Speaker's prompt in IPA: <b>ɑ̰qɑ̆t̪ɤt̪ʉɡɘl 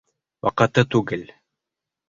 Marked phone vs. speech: incorrect: w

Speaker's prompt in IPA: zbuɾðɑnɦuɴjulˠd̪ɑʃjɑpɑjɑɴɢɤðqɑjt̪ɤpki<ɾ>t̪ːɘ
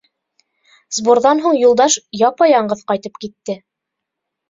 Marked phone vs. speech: incorrect: none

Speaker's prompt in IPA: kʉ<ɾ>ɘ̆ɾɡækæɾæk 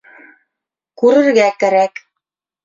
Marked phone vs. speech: correct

